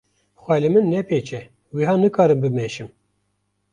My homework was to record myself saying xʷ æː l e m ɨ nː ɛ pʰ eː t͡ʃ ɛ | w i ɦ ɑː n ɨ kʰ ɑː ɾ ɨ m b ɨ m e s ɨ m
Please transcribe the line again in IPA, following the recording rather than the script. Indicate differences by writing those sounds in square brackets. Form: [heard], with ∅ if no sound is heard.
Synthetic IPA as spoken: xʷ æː l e m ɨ nː ɛ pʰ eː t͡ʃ ɛ | w i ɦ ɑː n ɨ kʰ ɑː ɾ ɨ m b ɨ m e [ʃ] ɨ m